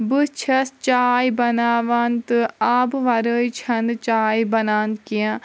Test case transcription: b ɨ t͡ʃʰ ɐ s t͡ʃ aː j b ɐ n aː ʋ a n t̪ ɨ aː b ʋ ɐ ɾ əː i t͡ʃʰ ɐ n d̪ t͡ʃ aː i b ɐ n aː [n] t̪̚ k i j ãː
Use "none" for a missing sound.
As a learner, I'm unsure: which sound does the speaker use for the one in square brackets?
n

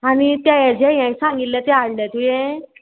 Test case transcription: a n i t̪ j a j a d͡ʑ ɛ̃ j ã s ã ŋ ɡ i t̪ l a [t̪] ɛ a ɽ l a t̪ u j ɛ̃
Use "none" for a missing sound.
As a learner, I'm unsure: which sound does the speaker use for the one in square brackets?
t̪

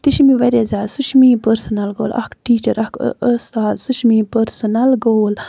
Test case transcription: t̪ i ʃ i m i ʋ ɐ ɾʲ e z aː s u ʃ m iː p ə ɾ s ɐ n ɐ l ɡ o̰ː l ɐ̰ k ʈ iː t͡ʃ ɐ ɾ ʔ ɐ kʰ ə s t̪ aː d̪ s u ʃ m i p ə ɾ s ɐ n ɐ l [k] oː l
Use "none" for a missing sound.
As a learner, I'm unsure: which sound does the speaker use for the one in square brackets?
ɡ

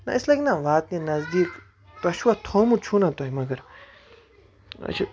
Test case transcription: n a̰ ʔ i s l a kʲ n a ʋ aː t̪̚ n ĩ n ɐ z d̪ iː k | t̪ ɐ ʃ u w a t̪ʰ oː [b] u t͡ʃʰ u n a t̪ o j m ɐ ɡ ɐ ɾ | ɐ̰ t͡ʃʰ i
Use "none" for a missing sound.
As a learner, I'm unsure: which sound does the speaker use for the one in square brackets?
m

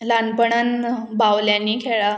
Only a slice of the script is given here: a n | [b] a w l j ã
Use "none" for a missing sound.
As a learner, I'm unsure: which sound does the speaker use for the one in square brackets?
b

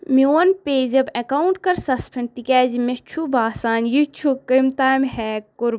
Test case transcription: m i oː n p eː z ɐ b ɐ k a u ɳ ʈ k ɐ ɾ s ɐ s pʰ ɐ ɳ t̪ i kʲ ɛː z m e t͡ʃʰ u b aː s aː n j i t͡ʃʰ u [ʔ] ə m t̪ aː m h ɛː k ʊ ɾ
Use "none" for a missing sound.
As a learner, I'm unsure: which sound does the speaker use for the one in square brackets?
k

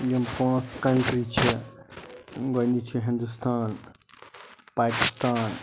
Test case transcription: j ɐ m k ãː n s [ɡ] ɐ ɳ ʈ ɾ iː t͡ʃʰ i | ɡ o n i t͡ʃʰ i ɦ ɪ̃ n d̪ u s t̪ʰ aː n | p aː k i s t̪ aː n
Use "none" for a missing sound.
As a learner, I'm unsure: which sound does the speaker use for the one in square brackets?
k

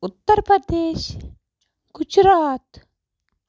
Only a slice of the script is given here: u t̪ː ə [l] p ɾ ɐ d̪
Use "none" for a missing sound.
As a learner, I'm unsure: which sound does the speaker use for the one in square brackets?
ɾ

